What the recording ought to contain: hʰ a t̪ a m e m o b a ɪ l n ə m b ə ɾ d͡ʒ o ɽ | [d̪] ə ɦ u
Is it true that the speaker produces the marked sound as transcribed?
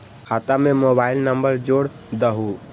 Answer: yes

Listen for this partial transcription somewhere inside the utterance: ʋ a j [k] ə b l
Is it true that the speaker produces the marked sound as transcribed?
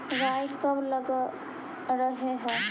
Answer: yes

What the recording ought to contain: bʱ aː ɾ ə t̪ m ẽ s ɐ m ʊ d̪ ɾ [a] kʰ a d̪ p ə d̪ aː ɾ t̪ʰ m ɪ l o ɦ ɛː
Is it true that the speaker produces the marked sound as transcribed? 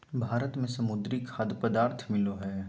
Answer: no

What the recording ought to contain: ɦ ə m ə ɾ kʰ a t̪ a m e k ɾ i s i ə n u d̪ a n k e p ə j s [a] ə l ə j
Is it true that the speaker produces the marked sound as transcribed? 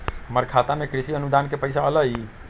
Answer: yes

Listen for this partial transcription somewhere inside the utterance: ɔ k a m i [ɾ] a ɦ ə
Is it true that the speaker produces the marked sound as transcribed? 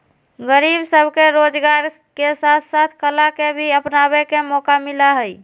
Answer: no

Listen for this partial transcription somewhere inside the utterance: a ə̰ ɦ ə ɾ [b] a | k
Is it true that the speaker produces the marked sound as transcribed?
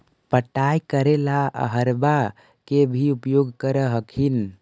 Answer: yes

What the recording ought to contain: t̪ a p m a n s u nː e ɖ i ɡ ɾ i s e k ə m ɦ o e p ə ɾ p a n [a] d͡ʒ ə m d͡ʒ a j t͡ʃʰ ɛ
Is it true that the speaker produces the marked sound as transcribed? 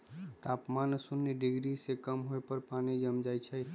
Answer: no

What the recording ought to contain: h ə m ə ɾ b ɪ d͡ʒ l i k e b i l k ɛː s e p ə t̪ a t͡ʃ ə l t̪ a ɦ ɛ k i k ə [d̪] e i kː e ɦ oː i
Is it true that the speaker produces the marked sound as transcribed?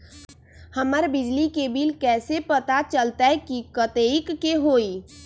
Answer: no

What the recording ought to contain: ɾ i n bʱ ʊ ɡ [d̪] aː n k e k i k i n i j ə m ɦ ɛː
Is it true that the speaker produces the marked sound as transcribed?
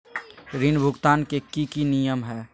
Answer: no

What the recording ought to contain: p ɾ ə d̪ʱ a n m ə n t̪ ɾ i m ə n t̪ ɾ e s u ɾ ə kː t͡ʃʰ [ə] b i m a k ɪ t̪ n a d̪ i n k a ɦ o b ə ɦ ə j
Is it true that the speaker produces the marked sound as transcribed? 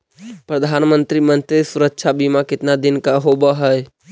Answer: no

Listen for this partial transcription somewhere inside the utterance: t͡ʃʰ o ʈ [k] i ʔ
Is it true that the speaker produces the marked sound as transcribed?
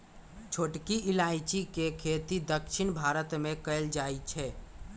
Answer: yes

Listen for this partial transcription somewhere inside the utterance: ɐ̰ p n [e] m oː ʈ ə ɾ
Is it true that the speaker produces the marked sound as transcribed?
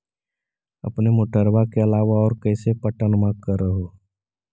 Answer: yes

